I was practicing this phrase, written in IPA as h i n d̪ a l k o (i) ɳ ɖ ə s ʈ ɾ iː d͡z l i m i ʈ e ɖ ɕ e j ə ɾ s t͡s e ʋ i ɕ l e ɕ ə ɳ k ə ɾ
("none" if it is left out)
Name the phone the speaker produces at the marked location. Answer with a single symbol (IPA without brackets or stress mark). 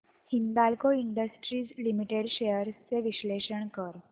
i